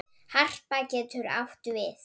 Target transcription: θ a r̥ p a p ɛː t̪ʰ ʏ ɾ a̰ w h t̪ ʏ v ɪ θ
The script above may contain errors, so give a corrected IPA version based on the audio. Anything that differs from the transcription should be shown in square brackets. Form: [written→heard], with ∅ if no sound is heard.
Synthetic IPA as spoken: [θ→h] a r̥ p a [p→c] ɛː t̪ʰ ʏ ɾ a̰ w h t̪ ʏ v ɪ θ

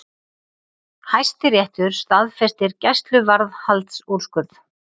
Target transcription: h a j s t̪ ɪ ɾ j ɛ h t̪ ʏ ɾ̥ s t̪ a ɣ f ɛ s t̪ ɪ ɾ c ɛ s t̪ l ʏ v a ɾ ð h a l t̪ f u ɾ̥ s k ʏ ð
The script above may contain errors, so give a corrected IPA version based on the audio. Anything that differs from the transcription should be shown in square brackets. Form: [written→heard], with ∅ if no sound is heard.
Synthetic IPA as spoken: h a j s t̪ ɪ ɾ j ɛ h t̪ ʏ ɾ̥ s t̪ a [ɣ→ð] f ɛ s t̪ ɪ ɾ c ɛ s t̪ l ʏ v a ɾ ð h a l t̪ [f→s] u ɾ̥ s k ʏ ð

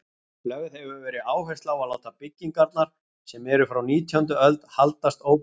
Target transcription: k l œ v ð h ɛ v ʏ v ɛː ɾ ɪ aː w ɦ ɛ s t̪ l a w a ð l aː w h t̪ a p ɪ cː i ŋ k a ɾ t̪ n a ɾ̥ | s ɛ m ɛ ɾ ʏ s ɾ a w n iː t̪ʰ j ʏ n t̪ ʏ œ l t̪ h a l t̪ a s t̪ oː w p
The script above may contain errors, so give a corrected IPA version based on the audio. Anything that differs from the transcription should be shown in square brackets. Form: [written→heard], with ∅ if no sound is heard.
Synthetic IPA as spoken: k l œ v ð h ɛ v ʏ v ɛː ɾ ɪ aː w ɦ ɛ s t̪ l a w a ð l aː w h t̪ a p ɪ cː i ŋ k a ɾ t̪ n a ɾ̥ | s ɛ m ɛ ɾ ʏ [s→f] ɾ a w n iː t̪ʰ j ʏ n t̪ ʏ œ l t̪ h a l t̪ a s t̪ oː w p

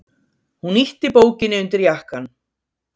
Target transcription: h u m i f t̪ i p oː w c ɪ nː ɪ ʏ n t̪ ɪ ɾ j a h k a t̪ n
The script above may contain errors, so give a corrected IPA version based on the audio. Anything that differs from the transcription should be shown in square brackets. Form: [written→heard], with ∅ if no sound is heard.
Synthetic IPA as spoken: h u [m→n] i [f→h] t̪ [i→ɪ] p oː w c ɪ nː ɪ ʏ n t̪ ɪ ɾ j a h k a [t̪→∅] n

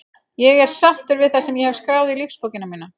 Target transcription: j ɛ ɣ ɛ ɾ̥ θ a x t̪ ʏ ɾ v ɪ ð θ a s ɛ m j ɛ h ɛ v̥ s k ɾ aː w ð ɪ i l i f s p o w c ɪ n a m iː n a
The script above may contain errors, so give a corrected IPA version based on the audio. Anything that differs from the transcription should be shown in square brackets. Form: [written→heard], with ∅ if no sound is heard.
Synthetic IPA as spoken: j ɛ ɣ ɛ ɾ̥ [θ→s] a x t̪ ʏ ɾ v ɪ ð θ a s ɛ m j ɛ h ɛ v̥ s k ɾ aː w ð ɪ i l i f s p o w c ɪ n a m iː n a

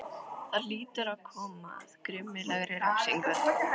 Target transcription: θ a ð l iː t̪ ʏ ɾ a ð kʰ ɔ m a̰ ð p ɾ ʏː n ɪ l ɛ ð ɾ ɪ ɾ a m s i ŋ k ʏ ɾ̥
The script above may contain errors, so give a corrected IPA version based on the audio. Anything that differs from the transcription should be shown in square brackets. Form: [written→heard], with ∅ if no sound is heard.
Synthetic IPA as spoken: θ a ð l iː t̪ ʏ ɾ a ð kʰ [ɔ→ɔː] m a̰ ð [p→k] ɾ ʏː [n→m] ɪ l ɛ [ð→ɣ] ɾ ɪ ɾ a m s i ŋ k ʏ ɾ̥

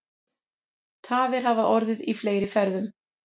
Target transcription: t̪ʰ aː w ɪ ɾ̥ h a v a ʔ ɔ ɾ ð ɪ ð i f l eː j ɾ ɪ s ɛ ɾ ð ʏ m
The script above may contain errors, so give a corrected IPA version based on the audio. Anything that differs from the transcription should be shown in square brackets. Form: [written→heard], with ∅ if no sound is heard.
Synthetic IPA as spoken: t̪ʰ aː [w→v] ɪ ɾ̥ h a v a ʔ ɔ ɾ ð ɪ ð i f l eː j ɾ ɪ [s→f] ɛ ɾ ð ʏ m

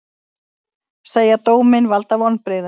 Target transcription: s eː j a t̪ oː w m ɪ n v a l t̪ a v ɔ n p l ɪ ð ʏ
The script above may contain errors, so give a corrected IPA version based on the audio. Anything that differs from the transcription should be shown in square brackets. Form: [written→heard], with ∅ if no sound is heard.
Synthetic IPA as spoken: s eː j a t̪ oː w m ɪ n v a l t̪ a v ɔ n p [l→ɾ] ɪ ð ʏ

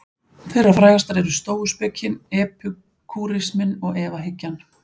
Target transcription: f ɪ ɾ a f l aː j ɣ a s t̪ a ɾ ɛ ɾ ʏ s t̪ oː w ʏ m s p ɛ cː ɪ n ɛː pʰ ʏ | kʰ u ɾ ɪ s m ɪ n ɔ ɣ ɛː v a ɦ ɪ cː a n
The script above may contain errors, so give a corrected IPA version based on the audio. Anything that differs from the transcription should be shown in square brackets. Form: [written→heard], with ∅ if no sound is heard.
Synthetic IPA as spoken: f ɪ ɾ a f [l→ɾ] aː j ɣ a s t̪ a ɾ ɛ ɾ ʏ s t̪ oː w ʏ [m→∅] s p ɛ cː ɪ n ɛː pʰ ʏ | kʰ u ɾ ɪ s m ɪ n ɔ ɣ ɛː v a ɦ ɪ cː a n

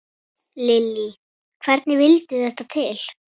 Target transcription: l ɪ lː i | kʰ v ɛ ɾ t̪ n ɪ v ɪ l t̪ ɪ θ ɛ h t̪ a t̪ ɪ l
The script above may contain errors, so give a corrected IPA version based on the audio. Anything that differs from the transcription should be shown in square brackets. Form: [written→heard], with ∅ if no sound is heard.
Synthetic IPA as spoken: l ɪ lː i | kʰ v ɛ ɾ t̪ n ɪ v ɪ l t̪ ɪ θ ɛ h t̪ a [t̪→t̪ʰ] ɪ l

